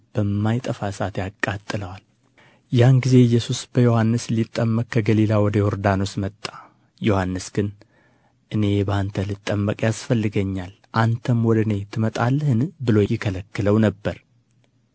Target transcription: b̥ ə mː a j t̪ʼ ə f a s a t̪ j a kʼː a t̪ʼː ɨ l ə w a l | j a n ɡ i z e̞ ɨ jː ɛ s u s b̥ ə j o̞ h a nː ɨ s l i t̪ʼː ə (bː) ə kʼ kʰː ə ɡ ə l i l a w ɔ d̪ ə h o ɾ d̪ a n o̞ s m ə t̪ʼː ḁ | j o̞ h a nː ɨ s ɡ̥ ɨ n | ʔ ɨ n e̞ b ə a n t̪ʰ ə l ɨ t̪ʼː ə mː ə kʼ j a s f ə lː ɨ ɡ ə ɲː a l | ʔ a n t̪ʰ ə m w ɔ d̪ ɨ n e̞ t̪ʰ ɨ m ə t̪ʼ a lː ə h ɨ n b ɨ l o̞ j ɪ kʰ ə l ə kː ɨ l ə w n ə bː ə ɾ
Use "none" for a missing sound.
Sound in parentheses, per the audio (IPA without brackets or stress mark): mː